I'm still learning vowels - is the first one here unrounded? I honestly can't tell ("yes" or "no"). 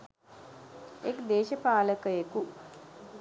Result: yes